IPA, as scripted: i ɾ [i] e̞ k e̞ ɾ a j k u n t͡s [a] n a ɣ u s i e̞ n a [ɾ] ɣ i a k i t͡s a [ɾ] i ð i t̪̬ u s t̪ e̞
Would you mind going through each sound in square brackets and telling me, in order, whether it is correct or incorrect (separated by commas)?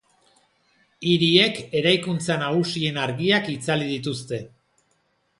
correct, correct, correct, incorrect